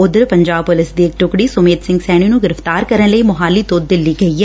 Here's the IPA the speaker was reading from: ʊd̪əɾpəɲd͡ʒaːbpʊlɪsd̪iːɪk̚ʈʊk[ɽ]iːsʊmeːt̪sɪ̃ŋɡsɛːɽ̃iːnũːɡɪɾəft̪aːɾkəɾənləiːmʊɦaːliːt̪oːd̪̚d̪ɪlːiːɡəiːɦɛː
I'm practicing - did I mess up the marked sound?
no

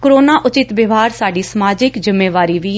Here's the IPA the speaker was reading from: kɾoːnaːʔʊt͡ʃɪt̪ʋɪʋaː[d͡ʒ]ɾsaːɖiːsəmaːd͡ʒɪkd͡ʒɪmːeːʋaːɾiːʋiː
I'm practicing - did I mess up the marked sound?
yes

